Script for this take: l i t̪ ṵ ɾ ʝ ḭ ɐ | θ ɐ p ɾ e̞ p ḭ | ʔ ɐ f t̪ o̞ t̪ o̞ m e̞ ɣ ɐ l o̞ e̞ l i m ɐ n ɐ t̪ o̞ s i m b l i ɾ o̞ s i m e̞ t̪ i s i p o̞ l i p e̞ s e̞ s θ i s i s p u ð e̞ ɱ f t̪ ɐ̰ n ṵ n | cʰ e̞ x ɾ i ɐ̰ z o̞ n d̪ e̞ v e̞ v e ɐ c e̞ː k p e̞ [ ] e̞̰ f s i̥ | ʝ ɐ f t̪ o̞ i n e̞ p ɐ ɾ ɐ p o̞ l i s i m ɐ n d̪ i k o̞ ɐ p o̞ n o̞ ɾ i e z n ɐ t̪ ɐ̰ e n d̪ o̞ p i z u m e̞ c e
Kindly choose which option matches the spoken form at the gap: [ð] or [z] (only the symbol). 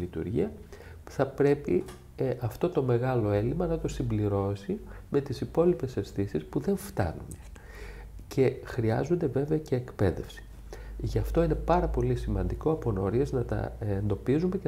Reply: ð